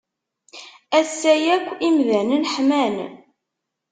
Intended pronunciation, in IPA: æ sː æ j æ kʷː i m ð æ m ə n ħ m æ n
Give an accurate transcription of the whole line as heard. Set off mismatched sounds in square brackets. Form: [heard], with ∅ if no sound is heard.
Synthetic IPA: æ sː æ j æ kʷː i m ð æ [n] ə n ħ m æ n

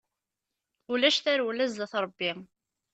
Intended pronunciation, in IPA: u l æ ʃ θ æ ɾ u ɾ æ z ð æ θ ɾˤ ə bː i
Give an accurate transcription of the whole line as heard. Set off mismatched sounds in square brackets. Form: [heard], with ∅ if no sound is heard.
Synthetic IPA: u l æ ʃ θ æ ɾ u [l] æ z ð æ θ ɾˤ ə bː i

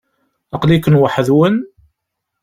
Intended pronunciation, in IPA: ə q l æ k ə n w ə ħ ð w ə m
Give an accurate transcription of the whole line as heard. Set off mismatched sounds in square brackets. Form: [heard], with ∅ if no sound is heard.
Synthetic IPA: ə q l [i] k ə n w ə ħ ð w ə [n]

